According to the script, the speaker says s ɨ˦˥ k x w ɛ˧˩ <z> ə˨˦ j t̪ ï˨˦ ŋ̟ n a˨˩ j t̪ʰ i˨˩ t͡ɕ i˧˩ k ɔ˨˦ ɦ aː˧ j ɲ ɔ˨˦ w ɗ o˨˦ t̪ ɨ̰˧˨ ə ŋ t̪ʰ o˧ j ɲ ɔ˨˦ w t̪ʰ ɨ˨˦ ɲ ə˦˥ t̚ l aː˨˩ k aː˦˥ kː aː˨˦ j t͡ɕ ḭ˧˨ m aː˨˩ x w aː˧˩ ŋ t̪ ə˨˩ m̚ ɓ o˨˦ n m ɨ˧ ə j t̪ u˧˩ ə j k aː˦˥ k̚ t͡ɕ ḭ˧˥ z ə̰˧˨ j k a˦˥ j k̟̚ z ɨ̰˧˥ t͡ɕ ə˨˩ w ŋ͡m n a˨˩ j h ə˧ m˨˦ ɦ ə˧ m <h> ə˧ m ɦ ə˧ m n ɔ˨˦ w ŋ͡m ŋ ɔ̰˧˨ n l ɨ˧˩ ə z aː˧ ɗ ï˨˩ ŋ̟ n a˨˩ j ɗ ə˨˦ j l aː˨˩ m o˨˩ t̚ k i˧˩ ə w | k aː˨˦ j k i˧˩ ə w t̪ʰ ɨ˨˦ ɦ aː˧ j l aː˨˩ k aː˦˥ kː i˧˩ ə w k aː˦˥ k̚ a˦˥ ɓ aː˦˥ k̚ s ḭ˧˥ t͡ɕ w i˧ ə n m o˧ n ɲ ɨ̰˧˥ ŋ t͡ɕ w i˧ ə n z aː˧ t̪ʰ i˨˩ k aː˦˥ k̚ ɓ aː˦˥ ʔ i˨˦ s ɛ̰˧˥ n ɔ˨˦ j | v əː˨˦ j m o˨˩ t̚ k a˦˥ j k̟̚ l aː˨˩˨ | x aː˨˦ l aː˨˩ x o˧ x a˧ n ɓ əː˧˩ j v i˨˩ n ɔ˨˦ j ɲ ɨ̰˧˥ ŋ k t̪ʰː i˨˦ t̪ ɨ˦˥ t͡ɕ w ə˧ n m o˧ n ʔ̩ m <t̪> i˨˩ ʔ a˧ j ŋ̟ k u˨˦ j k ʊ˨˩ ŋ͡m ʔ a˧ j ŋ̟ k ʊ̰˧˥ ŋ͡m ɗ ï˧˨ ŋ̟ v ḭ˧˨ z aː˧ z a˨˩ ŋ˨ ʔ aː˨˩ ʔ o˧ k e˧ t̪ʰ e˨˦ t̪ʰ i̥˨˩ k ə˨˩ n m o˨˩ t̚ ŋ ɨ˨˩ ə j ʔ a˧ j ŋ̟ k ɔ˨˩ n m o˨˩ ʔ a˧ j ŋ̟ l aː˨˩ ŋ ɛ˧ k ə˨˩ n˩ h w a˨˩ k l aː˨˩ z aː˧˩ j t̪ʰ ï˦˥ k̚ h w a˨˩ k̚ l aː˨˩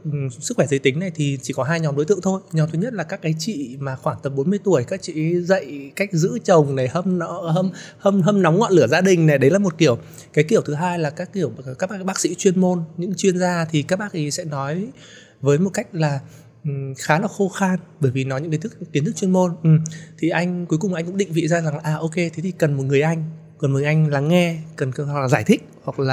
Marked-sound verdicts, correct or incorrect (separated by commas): correct, correct, incorrect